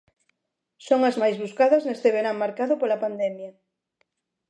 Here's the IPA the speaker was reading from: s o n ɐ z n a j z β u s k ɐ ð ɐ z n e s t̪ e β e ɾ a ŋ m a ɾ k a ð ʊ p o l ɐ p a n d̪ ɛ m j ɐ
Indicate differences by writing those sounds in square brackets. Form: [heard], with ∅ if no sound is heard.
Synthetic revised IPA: s o [ŋ] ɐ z [m] a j z β u s k [a] ð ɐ z n e s t̪ e β e ɾ a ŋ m a ɾ k a ð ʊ p o l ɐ p a n d̪ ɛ m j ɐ